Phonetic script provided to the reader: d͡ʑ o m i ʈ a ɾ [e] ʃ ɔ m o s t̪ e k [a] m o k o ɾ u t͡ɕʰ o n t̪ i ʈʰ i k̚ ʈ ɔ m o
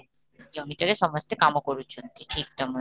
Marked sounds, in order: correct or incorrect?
correct, correct

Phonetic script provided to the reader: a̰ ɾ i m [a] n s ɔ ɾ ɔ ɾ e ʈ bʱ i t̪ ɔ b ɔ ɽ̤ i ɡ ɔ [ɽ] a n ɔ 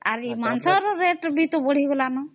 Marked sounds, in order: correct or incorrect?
correct, incorrect: l

